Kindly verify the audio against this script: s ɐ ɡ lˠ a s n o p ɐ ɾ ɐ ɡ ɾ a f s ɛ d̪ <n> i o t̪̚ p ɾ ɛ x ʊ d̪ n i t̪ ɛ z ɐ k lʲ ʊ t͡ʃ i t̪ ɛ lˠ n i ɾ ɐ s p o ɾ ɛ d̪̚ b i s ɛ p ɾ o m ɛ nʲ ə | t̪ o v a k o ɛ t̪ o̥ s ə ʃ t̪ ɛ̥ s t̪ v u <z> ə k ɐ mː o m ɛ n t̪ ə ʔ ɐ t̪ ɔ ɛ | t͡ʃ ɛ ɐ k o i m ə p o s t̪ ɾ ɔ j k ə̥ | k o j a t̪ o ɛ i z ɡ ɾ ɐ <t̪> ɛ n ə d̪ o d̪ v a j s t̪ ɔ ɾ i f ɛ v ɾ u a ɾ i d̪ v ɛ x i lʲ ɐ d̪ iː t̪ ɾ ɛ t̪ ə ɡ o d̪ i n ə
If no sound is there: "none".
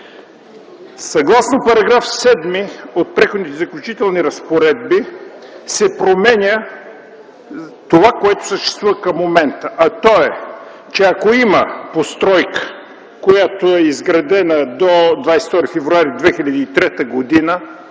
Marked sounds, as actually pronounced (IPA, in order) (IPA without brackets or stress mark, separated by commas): m, v, d̪